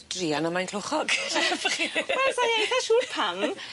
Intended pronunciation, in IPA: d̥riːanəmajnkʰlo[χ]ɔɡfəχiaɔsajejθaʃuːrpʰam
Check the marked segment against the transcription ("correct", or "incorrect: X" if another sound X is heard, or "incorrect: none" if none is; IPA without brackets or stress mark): correct